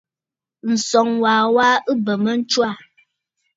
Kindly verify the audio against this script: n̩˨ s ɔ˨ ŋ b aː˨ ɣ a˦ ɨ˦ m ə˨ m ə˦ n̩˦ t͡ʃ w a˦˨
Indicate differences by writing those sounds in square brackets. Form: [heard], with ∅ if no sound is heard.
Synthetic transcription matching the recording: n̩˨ s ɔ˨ ŋ [w] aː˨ [w] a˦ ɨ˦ [b] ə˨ m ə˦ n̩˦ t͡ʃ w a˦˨